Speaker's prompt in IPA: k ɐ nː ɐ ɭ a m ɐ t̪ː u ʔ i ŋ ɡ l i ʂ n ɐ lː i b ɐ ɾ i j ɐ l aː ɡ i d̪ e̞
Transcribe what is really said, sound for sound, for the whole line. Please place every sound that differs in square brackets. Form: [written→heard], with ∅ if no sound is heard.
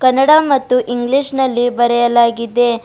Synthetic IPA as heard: k ɐ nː ɐ [ɭ→ɽ] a m ɐ t̪ː u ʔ i ŋ ɡ l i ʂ n ɐ lː i b ɐ ɾ [i→ɛ] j ɐ l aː ɡ i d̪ e̞